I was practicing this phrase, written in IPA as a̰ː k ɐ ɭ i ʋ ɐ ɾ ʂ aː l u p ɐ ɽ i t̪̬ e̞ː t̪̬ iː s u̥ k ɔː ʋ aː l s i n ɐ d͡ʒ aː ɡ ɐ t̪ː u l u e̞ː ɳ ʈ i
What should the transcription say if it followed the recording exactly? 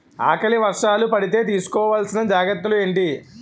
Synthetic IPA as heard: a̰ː k ɐ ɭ i ʋ ɐ ɾ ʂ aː l u p ɐ ɽ i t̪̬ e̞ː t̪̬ iː s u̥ k ɔː ʋ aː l s i n ɐ d͡ʒ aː ɡ ɐ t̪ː u l u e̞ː ɳ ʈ i

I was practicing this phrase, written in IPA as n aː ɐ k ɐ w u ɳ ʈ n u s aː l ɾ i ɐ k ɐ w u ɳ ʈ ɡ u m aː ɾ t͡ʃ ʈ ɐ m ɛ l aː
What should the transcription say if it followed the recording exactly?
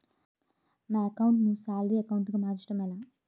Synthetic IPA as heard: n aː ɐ k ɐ w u ɳ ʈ n u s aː l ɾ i ɐ k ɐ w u ɳ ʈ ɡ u m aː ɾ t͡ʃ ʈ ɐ m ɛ l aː

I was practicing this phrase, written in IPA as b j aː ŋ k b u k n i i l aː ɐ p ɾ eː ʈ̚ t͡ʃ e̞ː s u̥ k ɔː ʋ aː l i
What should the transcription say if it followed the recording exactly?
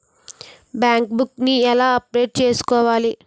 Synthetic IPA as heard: b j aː ŋ k b u k n i ɛ l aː ɐ p ɾ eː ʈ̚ t͡ʃ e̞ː s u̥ k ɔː ʋ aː l i

